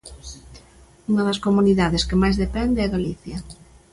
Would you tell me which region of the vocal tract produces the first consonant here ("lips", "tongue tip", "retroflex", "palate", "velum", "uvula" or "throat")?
velum